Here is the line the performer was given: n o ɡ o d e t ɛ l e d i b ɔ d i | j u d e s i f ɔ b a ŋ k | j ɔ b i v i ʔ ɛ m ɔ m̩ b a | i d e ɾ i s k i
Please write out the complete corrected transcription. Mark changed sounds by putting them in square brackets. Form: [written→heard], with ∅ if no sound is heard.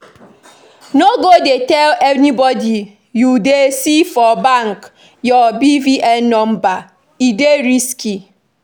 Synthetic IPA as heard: n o ɡ o d e t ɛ l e [d→n] i b ɔ d i | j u d e s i f ɔ b a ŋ k | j ɔ b i v i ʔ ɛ [m→n] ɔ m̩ b a | i d e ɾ i s k i

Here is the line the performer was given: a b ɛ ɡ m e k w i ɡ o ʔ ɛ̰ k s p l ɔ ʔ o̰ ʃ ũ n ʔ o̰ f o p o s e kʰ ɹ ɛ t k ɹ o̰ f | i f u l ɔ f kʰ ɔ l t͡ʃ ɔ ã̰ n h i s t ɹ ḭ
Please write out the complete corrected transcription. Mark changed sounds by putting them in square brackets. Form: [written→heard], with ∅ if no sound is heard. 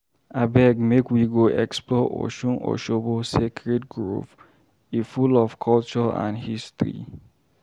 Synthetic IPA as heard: a b ɛ ɡ m e k w i ɡ o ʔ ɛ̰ k s p l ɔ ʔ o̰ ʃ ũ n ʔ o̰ [f→ʃ] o [p→b] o s e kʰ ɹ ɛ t [k→ɡ] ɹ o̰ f | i f u l ɔ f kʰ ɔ l t͡ʃ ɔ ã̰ n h i s t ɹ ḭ

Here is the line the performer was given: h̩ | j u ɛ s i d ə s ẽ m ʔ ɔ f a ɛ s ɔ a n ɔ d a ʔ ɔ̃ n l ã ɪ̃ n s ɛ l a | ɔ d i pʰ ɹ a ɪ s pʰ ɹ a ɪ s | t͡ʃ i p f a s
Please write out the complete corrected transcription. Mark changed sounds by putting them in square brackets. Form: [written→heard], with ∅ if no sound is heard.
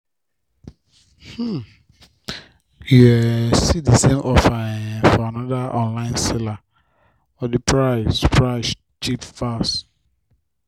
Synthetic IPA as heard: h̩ | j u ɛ s i d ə s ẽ m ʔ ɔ f a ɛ [s→f] ɔ a n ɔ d a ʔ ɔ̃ n l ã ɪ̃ n s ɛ l a | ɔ d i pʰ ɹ a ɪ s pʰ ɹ a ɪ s | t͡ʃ i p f a s

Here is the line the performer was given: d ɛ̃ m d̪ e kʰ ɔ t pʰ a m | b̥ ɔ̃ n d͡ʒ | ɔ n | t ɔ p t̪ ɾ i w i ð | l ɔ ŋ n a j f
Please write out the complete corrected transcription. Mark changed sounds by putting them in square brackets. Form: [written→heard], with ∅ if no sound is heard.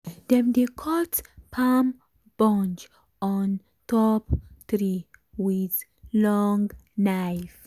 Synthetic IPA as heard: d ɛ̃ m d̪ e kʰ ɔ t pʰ a m | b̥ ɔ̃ n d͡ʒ | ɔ n | t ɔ p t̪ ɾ i w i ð | l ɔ ŋ n a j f

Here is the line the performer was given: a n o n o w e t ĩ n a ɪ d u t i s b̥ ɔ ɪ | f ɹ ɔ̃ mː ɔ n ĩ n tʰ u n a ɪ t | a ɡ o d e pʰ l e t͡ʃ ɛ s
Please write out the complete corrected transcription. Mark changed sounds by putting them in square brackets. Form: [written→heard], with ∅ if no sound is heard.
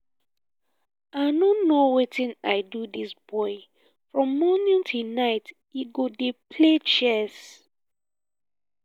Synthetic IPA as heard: a n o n o w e t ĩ n a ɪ d u [t→d] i s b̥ ɔ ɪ | f ɹ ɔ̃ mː ɔ n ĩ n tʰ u n a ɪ t | [a→i] ɡ o d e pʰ l e t͡ʃ ɛ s

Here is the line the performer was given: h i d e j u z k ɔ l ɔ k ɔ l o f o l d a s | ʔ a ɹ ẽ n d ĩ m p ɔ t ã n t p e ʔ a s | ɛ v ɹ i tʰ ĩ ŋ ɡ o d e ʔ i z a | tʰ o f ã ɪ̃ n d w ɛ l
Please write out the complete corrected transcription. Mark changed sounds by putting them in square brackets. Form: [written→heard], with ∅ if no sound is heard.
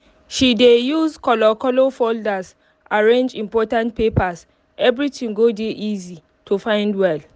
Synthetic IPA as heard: [h→ʃ] i d e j u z k ɔ l ɔ k ɔ l o f o l d a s | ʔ a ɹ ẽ n [d→d͡ʒ] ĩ m p ɔ t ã n t p e [ʔ→p] a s | ɛ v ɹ i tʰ ĩ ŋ ɡ o d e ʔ i z [a→i] | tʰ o f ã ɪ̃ n d w ɛ l

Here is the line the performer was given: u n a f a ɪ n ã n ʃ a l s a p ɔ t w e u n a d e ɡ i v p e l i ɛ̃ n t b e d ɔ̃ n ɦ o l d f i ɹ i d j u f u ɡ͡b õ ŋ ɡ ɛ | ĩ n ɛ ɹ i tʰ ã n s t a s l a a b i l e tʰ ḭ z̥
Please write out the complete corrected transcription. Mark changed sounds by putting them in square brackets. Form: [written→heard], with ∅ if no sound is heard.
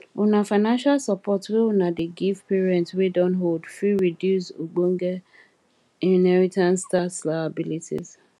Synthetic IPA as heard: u n a f a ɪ n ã n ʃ a l s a p ɔ t w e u n a d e ɡ i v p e [l→ɹ] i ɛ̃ n t [b→w] e d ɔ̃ n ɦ o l d f i ɹ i d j u [f→s] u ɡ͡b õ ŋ ɡ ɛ | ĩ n ɛ ɹ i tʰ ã n s t a s l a a b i l [e→i] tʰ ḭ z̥

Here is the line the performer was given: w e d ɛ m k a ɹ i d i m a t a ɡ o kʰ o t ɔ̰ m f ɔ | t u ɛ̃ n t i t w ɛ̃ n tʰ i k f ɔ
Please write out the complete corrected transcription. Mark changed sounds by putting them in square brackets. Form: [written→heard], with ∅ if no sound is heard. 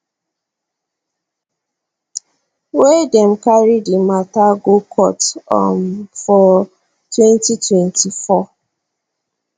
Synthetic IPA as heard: w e d ɛ m k a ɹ i d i m a t a ɡ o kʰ [o→ɔ] t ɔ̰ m f ɔ | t [u→w] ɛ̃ n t i t w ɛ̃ n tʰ i [k→∅] f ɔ

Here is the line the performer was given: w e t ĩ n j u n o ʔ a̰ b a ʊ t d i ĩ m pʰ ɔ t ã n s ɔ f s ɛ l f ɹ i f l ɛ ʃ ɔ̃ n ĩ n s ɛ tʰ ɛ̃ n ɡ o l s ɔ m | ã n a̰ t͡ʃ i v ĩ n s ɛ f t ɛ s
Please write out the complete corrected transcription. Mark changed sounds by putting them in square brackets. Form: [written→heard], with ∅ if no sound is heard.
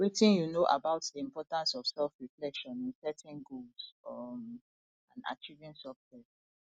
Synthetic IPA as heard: w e t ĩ n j u n o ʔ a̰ b a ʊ t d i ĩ m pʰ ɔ t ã n s ɔ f s ɛ l f ɹ i f l ɛ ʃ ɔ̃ n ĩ n s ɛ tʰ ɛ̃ n ɡ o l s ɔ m | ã n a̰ t͡ʃ i v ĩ n s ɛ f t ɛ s

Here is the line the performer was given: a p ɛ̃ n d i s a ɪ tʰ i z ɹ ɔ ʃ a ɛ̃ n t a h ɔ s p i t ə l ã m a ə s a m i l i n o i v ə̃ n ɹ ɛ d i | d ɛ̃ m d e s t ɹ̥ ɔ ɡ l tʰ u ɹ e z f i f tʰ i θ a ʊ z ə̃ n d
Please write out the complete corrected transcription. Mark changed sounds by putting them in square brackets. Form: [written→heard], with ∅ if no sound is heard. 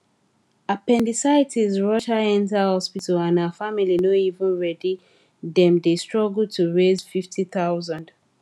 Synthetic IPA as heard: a p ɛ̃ n d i s a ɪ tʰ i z ɹ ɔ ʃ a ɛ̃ n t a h ɔ s p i t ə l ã [m→n] a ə [s→f] a m i l i n o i v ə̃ n ɹ ɛ d i | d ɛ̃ m d e s t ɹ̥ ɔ ɡ l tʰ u ɹ e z f i f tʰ i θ a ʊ z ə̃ n d

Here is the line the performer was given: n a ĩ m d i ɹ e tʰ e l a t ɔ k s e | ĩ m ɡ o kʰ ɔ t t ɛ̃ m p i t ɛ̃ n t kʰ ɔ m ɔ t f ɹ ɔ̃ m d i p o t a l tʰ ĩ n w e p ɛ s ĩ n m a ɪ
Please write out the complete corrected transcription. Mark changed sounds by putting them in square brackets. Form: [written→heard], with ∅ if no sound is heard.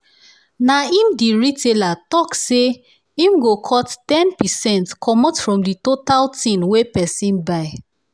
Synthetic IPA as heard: n a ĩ m d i ɹ [e→i] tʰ e l a t ɔ k s e | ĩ m ɡ o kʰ ɔ t t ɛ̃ [m→n] p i [t→s] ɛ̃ n t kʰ ɔ m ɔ t f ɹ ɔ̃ m d i [p→t] o t a l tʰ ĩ n w e p ɛ s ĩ n [m→b] a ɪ

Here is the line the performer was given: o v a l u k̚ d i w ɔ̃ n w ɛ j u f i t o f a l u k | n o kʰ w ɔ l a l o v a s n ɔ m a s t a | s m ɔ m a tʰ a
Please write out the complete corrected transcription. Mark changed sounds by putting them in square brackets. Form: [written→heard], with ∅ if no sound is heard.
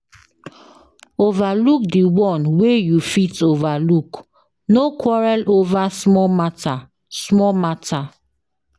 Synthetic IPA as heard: o v a l u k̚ d i w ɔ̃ n w [ɛ→e] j u f i t o [f→v] a l u k | n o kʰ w ɔ [l→ɹ] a l o v a s [n→m] ɔ m a [s→∅] t a | s m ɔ m a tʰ a

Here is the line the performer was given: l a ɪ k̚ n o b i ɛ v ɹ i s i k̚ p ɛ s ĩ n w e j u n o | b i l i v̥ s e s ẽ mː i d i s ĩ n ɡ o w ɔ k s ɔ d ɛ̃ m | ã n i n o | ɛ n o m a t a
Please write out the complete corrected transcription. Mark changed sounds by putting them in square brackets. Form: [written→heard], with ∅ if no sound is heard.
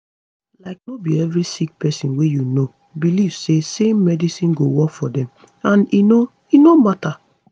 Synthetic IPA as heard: l a ɪ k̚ n o b i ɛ v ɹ i s i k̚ p ɛ s ĩ n w e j u n o | b i l i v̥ s e s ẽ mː [i→ɛ] d i s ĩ n ɡ o w ɔ k [s→f] ɔ d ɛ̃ m | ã n i n o | [ɛ→i] n o m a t a

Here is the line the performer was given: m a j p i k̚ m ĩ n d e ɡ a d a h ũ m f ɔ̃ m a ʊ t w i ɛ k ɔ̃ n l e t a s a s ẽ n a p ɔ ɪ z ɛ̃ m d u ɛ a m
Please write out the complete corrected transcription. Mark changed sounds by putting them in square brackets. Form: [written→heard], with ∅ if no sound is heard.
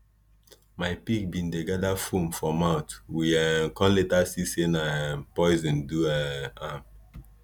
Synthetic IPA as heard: m a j p i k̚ [m→b] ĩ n d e ɡ a d a [h→f] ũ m f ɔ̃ m a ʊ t w i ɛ k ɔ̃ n l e t a s [a→i] s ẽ n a p ɔ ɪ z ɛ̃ [m→n] d u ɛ a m

